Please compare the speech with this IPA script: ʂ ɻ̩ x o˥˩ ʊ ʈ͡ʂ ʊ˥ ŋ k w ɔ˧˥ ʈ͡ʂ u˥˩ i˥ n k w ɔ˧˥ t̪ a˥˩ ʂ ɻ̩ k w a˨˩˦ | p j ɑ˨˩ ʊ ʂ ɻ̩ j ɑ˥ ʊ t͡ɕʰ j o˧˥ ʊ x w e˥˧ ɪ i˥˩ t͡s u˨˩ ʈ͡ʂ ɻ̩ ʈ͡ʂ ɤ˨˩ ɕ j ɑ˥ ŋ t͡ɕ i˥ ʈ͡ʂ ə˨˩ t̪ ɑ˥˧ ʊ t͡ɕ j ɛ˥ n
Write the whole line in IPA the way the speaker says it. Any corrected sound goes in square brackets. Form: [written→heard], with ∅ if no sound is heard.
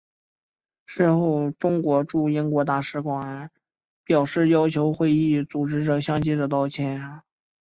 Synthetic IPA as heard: ʂ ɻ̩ x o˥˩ ʊ ʈ͡ʂ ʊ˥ ŋ k w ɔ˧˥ ʈ͡ʂ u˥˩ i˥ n k w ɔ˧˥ t̪ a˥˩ ʂ ɻ̩ k w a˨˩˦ | p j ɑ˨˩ ʊ ʂ ɻ̩ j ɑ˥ ʊ t͡ɕʰ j o˧˥ ʊ x w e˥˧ ɪ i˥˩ t͡s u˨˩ ʈ͡ʂ ɻ̩ ʈ͡ʂ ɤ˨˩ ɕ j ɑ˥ ŋ t͡ɕ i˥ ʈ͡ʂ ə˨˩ t̪ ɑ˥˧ ʊ [t͡ɕ→t͡ɕʰ] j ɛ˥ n